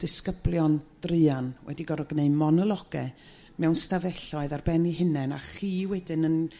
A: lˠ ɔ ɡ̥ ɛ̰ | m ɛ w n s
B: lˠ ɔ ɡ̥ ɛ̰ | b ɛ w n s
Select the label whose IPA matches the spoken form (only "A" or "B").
A